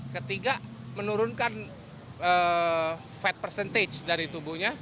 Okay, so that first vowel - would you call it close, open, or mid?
mid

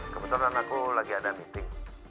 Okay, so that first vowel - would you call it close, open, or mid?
mid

